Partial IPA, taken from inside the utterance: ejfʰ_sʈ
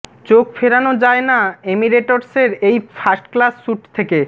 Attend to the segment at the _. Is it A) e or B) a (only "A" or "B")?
B